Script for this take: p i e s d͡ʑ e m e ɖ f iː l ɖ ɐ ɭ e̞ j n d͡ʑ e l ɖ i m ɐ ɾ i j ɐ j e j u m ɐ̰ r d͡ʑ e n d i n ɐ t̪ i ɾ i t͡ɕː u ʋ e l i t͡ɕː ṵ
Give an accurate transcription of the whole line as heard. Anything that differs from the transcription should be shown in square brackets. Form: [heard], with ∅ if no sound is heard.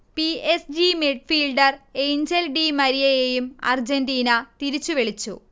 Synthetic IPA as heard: p i e s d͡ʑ [i] m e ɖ f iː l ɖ ɐ [r] e̞ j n d͡ʑ e l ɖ i m ɐ ɾ i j ɐ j e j u m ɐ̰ r d͡ʑ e n d [iː] n ɐ t̪ i ɾ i t͡ɕː u ʋ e [ɭ] i t͡ɕː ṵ